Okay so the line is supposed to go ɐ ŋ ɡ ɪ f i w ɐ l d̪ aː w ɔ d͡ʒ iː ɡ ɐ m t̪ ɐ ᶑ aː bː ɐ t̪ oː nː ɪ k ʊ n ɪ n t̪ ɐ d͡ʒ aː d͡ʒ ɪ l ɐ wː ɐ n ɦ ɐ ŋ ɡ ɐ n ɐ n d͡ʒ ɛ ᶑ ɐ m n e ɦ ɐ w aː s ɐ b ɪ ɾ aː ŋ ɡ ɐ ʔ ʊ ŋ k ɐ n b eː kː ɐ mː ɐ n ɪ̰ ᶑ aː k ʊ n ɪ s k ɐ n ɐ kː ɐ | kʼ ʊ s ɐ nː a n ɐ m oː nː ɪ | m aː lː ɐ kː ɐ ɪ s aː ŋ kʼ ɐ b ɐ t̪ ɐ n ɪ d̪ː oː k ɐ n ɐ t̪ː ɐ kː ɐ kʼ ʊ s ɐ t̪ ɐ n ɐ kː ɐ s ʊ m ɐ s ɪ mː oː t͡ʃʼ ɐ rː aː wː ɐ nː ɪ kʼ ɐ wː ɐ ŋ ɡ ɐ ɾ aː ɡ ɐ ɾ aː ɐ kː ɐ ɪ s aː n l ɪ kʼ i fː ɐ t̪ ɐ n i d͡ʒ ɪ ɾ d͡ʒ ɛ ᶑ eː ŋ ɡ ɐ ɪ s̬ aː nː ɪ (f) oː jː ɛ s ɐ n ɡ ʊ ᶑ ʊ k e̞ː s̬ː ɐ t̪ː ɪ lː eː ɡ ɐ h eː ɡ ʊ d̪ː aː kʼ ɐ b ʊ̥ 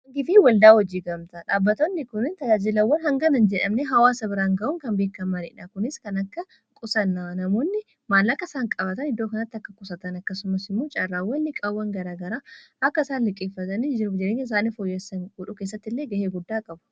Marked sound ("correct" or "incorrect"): correct